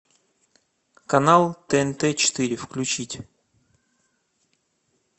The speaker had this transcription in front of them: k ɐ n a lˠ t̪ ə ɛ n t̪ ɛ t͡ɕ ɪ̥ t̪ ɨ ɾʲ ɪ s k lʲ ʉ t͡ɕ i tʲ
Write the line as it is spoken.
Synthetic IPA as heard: k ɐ n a lˠ t̪ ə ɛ n t̪ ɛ t͡ɕ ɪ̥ t̪ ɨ ɾʲ ɪ f k lʲ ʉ t͡ɕ i tʲ